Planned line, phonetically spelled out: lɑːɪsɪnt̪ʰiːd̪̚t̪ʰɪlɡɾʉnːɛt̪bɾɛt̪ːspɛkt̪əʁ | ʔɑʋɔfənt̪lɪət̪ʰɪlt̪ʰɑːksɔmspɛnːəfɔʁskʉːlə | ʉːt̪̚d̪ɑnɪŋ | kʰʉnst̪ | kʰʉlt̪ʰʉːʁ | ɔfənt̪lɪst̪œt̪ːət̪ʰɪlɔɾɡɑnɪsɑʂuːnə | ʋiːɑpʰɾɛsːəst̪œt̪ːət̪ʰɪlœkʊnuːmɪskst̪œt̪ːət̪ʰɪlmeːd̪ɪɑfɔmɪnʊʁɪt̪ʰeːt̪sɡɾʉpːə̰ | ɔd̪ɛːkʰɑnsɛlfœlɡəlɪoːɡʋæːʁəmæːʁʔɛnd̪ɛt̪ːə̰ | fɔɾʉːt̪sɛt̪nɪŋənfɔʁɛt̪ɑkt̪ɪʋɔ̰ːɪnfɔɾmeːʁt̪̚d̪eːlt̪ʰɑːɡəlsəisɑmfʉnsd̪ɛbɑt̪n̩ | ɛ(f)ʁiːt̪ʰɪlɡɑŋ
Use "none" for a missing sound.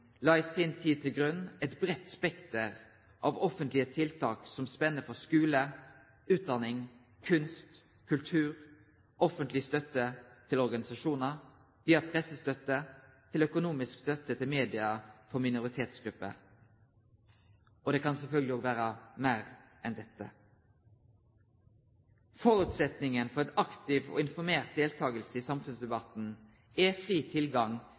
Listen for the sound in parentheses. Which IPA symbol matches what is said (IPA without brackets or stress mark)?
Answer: f